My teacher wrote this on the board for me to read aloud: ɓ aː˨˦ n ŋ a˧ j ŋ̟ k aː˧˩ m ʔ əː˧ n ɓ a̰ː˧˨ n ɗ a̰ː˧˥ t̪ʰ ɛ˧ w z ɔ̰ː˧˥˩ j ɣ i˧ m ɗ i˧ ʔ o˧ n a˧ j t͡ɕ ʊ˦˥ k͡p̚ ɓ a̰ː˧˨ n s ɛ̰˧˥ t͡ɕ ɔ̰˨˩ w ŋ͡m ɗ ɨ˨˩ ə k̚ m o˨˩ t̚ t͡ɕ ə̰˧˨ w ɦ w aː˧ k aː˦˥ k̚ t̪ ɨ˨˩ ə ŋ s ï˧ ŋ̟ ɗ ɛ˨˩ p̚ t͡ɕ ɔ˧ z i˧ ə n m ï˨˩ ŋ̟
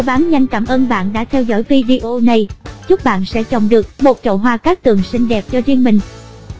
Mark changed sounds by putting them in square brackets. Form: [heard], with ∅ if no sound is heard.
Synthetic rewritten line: ɓ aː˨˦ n [ɲ] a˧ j ŋ̟ k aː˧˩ m ʔ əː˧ n ɓ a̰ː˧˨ n ɗ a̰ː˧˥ t̪ʰ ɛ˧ w z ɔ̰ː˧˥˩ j [v] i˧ [∅] ɗ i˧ ʔ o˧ n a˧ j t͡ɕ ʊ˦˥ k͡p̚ ɓ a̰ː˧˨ n s ɛ̰˧˥ t͡ɕ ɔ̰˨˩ w ŋ͡m ɗ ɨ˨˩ ə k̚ m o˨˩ t̚ t͡ɕ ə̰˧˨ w ɦ w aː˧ k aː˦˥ k̚ t̪ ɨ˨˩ ə ŋ s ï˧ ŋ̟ ɗ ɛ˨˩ p̚ t͡ɕ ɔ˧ z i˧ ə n m ï˨˩ ŋ̟